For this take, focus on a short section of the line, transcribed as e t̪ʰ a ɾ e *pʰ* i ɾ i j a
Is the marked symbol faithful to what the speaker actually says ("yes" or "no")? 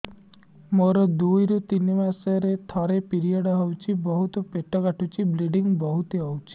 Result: no